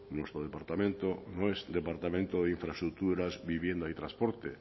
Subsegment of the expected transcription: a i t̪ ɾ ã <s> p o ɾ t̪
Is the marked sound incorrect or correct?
correct